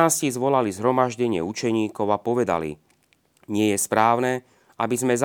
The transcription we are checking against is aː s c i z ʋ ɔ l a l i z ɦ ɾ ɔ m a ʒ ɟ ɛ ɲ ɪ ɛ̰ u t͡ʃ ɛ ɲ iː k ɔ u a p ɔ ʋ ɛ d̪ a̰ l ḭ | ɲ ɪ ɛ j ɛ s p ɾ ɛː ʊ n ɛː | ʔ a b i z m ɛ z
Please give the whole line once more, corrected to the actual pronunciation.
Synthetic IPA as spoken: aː s c i z ʋ ɔ l a l i z ɦ ɾ ɔ m a ʒ ɟ ɛ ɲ ɪ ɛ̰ u t͡ʃ ɛ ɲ iː k ɔ ʊ a p ɔ ʋ ɛ d̪ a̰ l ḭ | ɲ ɪ ɛ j ɛ s p ɾ aː ʊ n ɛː | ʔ a b i z m ɛ z